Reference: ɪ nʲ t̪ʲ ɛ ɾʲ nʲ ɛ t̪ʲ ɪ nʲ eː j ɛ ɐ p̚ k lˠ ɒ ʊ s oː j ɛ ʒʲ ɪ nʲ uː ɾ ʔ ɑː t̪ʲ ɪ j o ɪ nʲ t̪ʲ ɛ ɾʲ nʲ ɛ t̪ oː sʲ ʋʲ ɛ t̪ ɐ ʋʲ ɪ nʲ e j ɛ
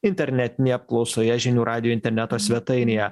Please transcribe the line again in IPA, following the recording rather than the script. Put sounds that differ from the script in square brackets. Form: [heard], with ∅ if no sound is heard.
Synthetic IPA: ɪ nʲ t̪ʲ ɛ ɾʲ nʲ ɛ t̪ʲ ɪ nʲ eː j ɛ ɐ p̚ k lˠ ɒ ʊ s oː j ɛ ʒʲ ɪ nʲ uː ɾ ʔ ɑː [d̪ʲ] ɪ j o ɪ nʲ t̪ʲ ɛ ɾʲ nʲ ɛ t̪ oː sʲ ʋʲ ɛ t̪ ɐ [∅] ɪ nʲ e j ɛ

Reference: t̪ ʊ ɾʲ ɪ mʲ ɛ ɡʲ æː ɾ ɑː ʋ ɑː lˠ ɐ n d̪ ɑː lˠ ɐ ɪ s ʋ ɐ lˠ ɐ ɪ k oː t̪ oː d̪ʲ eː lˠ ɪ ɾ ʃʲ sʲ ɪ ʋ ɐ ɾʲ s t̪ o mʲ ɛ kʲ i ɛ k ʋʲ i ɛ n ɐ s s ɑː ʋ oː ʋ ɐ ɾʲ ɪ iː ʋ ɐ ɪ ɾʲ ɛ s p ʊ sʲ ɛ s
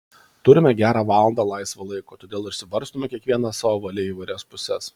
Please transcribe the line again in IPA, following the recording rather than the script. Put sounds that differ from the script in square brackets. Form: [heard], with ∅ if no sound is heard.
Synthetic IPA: t̪ ʊ ɾʲ ɪ mʲ ɛ ɡʲ æː ɾ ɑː ʋ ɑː lˠ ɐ n d̪ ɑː lˠ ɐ ɪ s ʋ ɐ lˠ ɐ ɪ k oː t̪ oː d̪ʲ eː lˠ ɪ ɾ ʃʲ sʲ ɪ ʋ ɐ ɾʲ s t̪ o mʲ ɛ kʲ i ɛ k ʋʲ i ɛ n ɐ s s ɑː ʋ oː ʋ ɐ [lʲ] ɪ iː ʋ ɐ ɪ ɾʲ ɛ s p ʊ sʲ ɛ s

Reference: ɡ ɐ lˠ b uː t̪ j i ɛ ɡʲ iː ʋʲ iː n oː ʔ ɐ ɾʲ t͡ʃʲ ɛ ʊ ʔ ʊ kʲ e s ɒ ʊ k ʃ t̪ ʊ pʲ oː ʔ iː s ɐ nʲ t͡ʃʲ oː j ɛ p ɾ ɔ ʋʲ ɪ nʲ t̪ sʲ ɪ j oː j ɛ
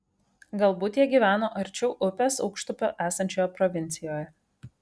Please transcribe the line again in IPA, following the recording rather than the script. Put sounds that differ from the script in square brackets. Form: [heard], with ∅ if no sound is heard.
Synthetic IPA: ɡ ɐ lˠ b uː t̪ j i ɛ ɡʲ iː ʋʲ [æː] n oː ʔ ɐ ɾʲ t͡ʃʲ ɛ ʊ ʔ ʊ [pʲ] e s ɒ ʊ k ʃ t̪ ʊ pʲ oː ʔ [æː] s ɐ nʲ t͡ʃʲ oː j ɛ p ɾ ɔ ʋʲ ɪ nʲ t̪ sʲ ɪ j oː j ɛ

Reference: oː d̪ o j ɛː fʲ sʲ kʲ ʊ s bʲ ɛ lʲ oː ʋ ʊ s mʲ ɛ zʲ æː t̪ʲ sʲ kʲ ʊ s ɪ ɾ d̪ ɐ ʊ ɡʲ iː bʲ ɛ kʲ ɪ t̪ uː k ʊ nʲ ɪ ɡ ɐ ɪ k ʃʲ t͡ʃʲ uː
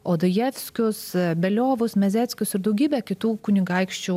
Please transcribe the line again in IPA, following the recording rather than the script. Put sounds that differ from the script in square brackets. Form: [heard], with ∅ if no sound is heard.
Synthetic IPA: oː d̪ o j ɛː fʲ sʲ kʲ ʊ s bʲ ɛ lʲ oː ʋ ʊ s mʲ ɛ zʲ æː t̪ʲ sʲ kʲ ʊ s ɪ ɾ d̪ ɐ ʊ ɡʲ iː bʲ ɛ kʲ ɪ t̪ uː k ʊ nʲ ɪ ɡ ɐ ɪ k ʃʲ t͡ʃʲ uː

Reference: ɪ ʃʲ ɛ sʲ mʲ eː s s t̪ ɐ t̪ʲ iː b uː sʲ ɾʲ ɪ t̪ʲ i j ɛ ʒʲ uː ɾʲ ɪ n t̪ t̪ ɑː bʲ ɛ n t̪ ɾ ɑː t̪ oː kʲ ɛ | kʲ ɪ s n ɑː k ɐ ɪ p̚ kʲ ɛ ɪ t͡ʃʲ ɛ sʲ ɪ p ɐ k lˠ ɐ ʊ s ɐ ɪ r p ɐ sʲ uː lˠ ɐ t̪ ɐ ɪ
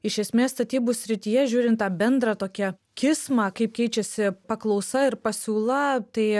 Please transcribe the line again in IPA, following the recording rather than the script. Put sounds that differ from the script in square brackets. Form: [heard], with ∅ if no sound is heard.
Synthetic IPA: ɪ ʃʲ ɛ sʲ mʲ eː s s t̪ ɐ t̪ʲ iː b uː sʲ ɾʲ ɪ t̪ʲ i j ɛ ʒʲ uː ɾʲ ɪ n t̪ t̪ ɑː bʲ ɛ n [d̪] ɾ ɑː t̪ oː kʲ ɛ | kʲ ɪ s [m] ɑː k ɐ ɪ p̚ kʲ ɛ ɪ t͡ʃʲ ɛ sʲ ɪ p ɐ k lˠ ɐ ʊ s ɐ ɪ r p ɐ sʲ uː lˠ ɐ t̪ ɐ ɪ

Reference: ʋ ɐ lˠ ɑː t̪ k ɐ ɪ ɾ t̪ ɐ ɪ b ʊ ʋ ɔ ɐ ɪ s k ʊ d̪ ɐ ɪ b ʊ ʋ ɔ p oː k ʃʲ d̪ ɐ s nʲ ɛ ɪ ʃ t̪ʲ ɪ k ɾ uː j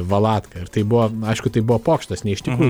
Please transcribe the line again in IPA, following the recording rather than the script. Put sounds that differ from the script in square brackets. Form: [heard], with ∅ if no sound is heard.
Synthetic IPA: ʋ ɐ lˠ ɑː t̪ k ɐ ɪ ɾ t̪ ɐ ɪ b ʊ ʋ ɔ ɐ ɪ [ʃ] k ʊ [t̪] ɐ ɪ b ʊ ʋ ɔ p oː k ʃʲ [t̪] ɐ s nʲ ɛ ɪ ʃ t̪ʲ ɪ k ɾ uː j

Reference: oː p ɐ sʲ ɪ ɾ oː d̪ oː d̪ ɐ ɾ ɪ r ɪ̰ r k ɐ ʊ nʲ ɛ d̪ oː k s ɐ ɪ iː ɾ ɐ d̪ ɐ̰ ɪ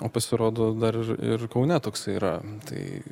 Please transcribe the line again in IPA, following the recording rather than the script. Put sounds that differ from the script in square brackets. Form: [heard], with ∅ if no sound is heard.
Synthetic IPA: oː p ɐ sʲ ɪ ɾ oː d̪ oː d̪ ɐ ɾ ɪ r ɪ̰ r k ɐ ʊ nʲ ɛ [t̪] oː k s ɐ ɪ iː ɾ ɐ [t̪] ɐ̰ ɪ

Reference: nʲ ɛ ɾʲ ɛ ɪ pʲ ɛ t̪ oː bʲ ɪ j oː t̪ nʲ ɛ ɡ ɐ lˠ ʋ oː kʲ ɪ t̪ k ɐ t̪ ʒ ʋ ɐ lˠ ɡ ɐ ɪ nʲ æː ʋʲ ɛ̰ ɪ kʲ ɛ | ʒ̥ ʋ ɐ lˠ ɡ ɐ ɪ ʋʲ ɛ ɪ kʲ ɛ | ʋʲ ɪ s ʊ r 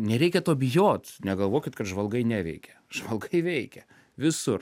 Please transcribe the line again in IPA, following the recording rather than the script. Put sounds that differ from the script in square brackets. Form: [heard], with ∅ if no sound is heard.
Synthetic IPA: nʲ ɛ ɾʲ ɛ ɪ [kʲ] ɛ t̪ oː bʲ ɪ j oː t̪ nʲ ɛ ɡ ɐ lˠ ʋ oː kʲ ɪ t̪ k ɐ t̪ ʒ ʋ ɐ lˠ ɡ ɐ ɪ nʲ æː ʋʲ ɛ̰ ɪ kʲ ɛ | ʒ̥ ʋ ɐ lˠ ɡ ɐ ɪ ʋʲ ɛ ɪ kʲ ɛ | ʋʲ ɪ s ʊ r

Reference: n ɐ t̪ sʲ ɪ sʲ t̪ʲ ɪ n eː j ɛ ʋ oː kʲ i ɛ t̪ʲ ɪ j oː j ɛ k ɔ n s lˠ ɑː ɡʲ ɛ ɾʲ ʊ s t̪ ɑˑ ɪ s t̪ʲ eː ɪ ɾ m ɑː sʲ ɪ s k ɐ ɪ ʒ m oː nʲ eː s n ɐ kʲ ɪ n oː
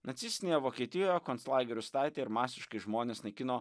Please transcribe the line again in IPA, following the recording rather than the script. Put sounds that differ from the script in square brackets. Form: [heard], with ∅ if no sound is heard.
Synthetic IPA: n ɐ t̪ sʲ ɪ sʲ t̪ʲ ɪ n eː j ɛ ʋ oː kʲ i ɛ t̪ʲ ɪ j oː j ɛ k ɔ n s lˠ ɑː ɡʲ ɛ ɾʲ ʊ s t̪ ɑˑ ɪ [∅] t̪ʲ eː ɪ ɾ m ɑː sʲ ɪ [ʃ] k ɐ ɪ ʒ m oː nʲ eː s n ɐ kʲ ɪ n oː

